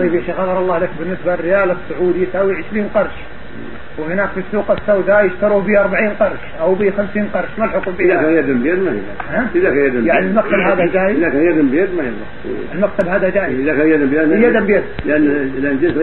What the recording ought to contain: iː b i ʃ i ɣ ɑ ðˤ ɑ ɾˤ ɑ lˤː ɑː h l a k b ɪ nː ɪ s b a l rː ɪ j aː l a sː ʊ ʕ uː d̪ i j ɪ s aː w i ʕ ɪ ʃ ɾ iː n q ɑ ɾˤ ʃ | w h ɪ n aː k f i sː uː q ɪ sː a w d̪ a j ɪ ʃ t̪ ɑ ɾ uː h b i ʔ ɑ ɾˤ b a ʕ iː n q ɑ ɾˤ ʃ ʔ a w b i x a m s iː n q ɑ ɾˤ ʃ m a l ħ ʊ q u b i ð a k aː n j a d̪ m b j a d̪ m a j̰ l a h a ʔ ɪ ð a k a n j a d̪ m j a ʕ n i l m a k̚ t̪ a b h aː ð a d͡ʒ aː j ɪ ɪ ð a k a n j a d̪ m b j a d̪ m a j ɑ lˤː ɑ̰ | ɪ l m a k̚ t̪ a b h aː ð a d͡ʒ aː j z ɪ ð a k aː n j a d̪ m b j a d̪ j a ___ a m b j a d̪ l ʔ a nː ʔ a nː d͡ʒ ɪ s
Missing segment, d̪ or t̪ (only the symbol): d̪